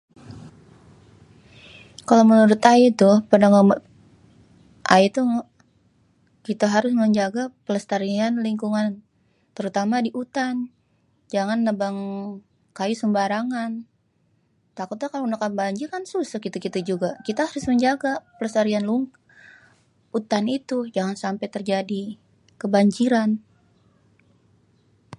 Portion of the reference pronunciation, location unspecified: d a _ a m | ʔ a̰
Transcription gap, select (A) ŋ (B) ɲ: A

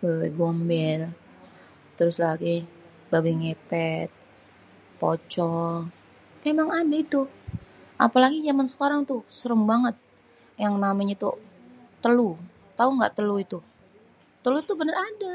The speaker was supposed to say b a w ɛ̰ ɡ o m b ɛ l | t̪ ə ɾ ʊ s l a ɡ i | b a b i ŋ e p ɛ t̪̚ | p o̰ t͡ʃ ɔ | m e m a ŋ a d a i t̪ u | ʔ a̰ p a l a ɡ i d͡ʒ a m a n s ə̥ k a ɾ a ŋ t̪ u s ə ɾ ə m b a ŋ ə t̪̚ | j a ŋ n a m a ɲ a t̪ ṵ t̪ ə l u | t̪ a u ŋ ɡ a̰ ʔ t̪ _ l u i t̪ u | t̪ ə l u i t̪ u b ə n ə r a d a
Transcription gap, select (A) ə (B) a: A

